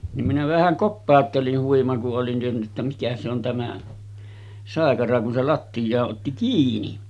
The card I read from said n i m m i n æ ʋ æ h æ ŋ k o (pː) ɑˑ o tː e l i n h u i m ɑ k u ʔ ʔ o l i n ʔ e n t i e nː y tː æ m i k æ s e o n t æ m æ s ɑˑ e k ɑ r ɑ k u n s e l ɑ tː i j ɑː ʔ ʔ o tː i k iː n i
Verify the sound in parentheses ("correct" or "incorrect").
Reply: correct